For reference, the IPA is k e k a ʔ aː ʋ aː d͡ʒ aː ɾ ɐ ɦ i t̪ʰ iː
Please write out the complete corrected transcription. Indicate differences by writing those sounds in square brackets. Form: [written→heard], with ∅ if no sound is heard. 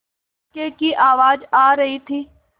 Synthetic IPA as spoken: k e k [a→i] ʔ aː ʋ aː d͡ʒ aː ɾ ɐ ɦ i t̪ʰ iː